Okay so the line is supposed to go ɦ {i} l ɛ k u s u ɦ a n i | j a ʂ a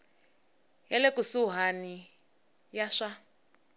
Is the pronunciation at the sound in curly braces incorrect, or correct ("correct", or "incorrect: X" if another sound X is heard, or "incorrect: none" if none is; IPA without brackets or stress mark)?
incorrect: ɛ